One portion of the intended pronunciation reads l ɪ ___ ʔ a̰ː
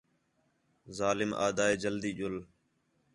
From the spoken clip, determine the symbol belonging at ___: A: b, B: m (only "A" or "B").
B